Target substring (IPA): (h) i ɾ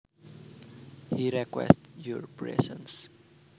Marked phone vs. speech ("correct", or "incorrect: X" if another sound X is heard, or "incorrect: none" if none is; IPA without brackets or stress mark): correct